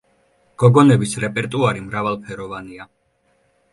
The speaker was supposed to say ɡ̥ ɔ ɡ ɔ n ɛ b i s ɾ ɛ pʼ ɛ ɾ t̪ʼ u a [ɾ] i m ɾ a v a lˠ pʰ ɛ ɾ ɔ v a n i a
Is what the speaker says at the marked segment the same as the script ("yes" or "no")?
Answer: yes